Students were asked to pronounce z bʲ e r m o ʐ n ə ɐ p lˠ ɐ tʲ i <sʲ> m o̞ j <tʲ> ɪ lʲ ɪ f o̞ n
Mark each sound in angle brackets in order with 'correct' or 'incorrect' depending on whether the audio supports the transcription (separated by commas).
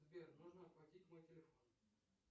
incorrect, correct